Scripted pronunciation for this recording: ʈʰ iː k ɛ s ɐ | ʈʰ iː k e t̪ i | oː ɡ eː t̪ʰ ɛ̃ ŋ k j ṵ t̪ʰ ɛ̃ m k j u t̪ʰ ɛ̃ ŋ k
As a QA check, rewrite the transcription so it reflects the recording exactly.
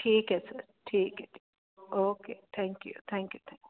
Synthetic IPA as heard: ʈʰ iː k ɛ s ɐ | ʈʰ iː k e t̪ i | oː k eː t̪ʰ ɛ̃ ŋ k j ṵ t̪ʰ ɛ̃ ŋ k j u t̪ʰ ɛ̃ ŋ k